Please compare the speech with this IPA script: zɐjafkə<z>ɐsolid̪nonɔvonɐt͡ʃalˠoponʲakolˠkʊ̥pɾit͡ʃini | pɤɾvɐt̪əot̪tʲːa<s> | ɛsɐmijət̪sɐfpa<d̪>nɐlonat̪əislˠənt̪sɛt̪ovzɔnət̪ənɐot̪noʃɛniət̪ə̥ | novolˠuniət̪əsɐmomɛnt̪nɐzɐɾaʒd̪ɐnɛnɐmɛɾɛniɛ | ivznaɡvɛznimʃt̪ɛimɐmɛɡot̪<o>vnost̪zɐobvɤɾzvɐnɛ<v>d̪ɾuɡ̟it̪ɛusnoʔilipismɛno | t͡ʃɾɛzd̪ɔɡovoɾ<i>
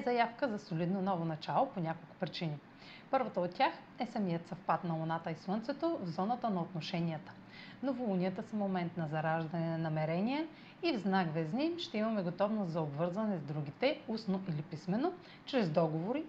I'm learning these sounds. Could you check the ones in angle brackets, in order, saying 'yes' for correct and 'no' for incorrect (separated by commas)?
yes, no, no, no, no, yes